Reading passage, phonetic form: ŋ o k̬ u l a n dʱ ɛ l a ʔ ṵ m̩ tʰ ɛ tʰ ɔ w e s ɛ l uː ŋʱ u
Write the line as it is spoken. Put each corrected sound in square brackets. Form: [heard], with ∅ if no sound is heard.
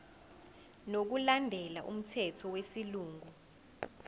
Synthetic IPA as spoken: [n] o k̬ u l a n dʱ ɛ l a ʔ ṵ m̩ tʰ ɛ tʰ ɔ w e s [i] l uː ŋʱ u

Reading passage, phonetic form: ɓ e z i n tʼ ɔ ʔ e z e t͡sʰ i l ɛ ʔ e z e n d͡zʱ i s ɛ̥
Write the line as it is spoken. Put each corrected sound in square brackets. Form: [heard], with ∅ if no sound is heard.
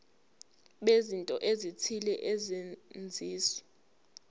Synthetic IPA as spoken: ɓ e z i n tʼ ɔ ʔ e z [i] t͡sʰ i l ɛ ʔ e z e n d͡zʱ [iː] s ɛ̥

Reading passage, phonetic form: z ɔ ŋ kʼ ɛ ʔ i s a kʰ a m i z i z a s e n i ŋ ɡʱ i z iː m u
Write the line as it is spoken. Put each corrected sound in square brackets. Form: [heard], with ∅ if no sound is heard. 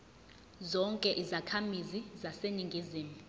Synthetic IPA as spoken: z ɔ ŋ kʼ ɛ ʔ i [z] a kʰ a m i z i z a s e n i ŋ ɡʱ i z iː m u

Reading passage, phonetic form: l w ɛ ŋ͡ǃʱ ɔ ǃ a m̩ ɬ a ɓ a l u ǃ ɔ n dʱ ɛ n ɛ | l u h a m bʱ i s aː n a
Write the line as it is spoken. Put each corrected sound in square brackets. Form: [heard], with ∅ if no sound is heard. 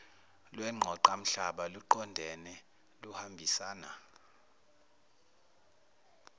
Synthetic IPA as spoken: l w ɛ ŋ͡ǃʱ ɔ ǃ a m̩ ɬ a ɓ a l u ǃ ɔ n dʱ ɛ n ɛ | l u h a m bʱ i s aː n a

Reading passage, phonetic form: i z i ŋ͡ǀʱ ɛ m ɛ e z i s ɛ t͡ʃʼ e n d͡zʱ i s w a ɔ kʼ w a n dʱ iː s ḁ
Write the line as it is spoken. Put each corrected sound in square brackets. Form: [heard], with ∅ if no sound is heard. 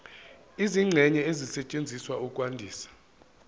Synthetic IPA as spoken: i z i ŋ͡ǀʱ ɛ [ɲ] ɛ e z i s ɛ t͡ʃʼ e n d͡zʱ i s w a [u] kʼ w a n dʱ iː s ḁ

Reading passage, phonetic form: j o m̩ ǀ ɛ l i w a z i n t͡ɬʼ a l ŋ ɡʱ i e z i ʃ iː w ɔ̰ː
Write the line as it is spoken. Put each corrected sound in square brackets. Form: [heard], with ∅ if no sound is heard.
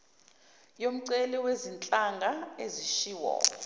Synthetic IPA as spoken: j o m̩ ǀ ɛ l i w [e] z i n t͡ɬʼ a [∅] ŋ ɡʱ [a] e z i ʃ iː w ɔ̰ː

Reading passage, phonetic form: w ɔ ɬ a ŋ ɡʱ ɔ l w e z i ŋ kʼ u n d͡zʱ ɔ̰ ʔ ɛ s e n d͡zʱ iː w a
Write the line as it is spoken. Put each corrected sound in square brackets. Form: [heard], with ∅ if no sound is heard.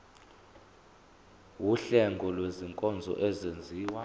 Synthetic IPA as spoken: w [u] ɬ [ɛ] ŋ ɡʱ ɔ l w e z i ŋ kʼ [ɔ] n d͡zʱ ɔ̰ ʔ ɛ [z] e n d͡zʱ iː w a

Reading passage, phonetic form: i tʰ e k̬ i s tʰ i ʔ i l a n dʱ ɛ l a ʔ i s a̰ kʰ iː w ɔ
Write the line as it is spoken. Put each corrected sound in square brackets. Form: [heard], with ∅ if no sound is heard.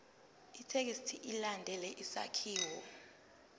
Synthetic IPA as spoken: i tʰ e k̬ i s tʰ i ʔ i l a n dʱ ɛ l [ɛ] ʔ i s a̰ kʰ iː w ɔ

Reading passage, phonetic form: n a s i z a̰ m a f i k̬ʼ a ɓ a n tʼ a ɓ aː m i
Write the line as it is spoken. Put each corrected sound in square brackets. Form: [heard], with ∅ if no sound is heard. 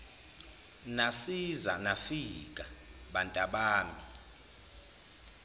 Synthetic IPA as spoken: n a s i z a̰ [n] a f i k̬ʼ a ɓ a n tʼ a ɓ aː m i

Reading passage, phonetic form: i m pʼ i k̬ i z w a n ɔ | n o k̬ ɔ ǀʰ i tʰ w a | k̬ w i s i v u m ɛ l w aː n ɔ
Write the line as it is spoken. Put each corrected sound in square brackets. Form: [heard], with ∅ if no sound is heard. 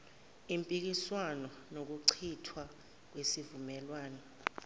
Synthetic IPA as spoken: i m pʼ i k̬ i [s] w a n ɔ | n o k̬ [u] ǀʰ i tʰ w a | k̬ w [e] s i v u m ɛ l w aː n ɔ

